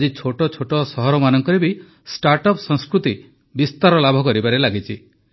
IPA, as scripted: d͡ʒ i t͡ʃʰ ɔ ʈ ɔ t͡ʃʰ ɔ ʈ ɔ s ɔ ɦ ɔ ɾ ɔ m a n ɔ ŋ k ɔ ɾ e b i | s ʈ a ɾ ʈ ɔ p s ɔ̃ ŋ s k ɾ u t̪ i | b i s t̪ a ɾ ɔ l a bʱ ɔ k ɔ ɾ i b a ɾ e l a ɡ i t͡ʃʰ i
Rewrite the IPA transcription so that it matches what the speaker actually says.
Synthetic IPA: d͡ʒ i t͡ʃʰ o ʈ ɔ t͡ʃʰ o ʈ ɔ s ɔ ɦ ɔ ɾ ɔ m a n ɔ ŋ k ɔ ɾ e b i | s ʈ a ɾ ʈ ɔ p s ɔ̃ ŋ s k ɾ u t̪ i | b i s t̪ a ɾ ɔ l a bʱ ɔ k ɔ ɾ i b a ɾ e l a ɡ i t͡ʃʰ i